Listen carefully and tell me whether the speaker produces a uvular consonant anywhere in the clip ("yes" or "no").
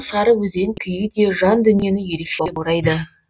no